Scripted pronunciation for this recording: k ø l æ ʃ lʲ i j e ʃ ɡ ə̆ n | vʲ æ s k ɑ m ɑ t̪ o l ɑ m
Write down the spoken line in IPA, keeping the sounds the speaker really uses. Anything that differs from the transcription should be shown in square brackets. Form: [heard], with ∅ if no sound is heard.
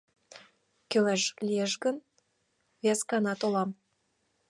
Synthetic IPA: k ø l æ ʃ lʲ i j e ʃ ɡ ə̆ n | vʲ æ s k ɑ [n] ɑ t̪ o l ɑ m